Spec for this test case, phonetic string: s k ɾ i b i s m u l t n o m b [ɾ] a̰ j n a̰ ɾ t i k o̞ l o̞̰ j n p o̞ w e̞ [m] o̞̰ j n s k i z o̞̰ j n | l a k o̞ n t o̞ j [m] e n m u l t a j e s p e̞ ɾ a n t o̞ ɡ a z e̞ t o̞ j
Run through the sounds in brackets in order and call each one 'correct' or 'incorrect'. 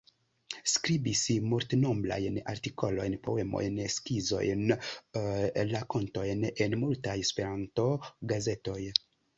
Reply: incorrect: l, correct, incorrect: n

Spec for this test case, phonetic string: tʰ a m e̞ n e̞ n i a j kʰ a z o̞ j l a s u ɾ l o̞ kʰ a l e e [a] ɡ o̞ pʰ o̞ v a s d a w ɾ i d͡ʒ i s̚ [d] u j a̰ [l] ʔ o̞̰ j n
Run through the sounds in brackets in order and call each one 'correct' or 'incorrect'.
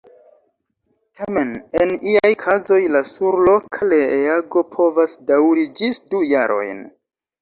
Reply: correct, correct, incorrect: ɾ

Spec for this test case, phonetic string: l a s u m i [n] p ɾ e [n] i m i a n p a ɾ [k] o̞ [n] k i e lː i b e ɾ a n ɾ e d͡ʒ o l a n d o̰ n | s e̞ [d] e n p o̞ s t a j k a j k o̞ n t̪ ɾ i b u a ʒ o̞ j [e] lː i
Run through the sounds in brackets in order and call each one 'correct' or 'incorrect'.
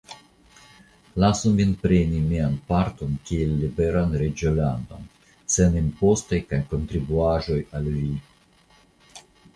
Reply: correct, correct, incorrect: t, correct, incorrect: n, incorrect: a

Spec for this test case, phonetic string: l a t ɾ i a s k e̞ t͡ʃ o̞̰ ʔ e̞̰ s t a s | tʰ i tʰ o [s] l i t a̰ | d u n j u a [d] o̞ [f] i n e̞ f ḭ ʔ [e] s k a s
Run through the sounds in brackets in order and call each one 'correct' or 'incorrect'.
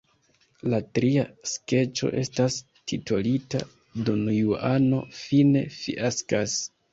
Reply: incorrect: none, incorrect: n, correct, incorrect: a

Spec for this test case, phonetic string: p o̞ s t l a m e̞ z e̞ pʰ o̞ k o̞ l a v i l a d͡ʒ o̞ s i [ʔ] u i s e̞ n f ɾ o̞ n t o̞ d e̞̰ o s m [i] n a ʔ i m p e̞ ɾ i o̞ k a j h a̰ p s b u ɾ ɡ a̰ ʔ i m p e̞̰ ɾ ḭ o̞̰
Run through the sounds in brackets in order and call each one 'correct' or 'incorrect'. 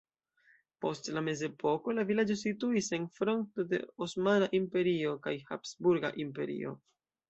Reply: incorrect: t, incorrect: a

